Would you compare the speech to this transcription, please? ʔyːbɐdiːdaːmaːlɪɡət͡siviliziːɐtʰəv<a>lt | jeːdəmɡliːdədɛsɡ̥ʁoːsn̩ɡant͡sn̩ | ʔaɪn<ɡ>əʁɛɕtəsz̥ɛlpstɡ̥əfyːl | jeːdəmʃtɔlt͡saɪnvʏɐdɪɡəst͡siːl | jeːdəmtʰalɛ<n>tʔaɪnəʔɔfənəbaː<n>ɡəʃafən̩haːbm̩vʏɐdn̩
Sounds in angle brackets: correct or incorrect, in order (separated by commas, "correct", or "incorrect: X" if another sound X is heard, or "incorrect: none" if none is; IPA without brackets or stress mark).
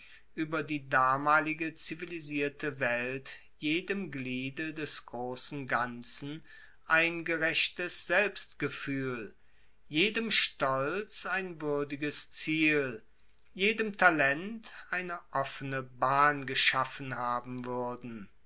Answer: incorrect: ɛ, correct, correct, correct